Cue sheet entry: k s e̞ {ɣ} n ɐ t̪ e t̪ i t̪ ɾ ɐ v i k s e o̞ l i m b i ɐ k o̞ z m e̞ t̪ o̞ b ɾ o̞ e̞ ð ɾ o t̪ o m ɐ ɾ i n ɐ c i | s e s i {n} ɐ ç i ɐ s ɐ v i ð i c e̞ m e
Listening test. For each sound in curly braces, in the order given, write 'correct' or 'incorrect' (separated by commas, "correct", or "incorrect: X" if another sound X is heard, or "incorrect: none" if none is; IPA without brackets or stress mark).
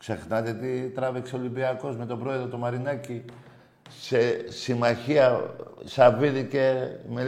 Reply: incorrect: x, incorrect: m